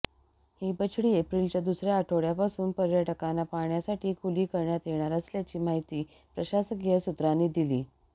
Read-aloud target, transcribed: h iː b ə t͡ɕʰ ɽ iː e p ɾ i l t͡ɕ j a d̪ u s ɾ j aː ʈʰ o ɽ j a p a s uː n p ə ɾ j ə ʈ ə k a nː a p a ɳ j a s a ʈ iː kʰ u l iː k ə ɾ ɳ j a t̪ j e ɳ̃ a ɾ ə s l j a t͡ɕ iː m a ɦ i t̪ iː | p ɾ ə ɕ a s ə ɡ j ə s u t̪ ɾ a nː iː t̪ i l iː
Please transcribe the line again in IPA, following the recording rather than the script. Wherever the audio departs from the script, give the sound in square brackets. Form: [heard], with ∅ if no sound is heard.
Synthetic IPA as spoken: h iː b ə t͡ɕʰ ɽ iː e p ɾ i l t͡ɕ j a d̪ u s ɾ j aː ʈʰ o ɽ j a p a s uː n p ə ɾ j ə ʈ ə k a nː a p a ɳ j a s a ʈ iː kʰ u l iː k ə ɾ ɳ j a t̪ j e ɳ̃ a ɾ ə s l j a t͡ɕ iː m a ɦ i t̪ iː | p ɾ ə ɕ a s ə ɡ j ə s u t̪ ɾ a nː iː [d̪] i l iː